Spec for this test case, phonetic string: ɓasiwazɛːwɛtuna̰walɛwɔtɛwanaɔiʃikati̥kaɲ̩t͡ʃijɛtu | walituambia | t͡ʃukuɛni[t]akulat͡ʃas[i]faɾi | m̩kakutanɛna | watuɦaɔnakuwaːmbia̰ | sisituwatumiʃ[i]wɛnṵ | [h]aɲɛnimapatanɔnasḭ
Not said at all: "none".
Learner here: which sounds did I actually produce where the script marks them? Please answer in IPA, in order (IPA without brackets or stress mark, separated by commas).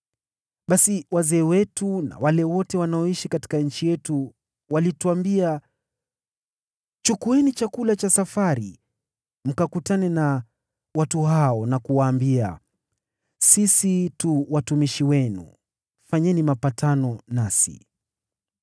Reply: t͡ʃ, a, i, f